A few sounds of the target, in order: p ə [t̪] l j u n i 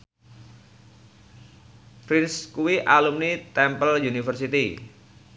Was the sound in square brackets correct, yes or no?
no